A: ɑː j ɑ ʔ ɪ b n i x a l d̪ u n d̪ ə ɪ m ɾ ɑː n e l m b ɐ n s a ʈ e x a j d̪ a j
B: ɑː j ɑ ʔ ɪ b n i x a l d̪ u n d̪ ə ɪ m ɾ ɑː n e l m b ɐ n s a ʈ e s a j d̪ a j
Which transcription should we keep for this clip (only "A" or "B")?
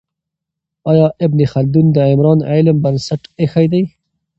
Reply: A